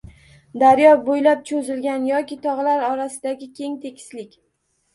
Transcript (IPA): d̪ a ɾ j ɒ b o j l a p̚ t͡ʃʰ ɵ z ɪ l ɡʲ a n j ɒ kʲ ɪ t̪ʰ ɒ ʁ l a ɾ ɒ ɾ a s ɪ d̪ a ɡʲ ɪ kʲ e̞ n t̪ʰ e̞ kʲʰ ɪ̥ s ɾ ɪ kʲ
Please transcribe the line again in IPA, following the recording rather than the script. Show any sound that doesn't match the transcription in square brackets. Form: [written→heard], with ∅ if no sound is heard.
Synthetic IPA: d̪ a ɾ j ɒ b o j l a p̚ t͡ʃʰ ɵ z ɪ l ɡʲ a n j ɒ kʲ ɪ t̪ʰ ɒ ʁ l a ɾ ɒ ɾ a s ɪ d̪ a ɡʲ ɪ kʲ e̞ [n→ŋ] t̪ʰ e̞ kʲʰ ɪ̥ s [ɾ→l] ɪ kʲ